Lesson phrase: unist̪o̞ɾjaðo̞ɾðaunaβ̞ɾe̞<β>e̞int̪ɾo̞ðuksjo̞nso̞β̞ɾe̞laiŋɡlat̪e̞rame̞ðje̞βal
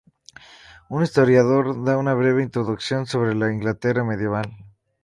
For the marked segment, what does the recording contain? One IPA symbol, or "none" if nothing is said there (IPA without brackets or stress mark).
β